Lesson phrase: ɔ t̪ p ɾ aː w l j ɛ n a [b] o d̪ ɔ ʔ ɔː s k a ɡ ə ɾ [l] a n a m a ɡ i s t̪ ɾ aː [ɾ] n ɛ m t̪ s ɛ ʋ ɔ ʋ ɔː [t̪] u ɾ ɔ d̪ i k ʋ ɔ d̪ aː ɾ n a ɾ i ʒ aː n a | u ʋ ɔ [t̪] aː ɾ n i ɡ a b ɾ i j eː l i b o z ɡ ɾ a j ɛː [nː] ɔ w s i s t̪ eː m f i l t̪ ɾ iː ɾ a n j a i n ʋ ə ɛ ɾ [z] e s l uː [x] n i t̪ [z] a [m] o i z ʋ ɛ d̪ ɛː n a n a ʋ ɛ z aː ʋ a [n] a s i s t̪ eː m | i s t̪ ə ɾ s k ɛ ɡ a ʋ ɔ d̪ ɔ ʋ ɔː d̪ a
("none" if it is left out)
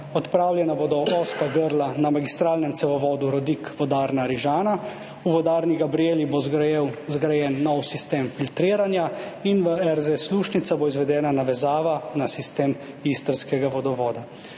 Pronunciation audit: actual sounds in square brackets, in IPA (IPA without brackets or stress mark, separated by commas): b, l, l, d̪, d̪, nː, z, ʃ, s, b, n